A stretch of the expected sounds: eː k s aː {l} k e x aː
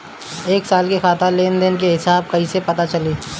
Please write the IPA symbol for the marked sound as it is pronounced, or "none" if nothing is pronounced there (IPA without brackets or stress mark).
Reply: l